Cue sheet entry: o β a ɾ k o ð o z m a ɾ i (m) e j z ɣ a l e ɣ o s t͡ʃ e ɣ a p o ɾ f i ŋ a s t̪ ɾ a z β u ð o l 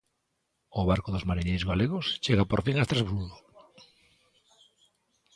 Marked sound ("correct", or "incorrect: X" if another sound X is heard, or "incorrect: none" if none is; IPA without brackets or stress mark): incorrect: ɲ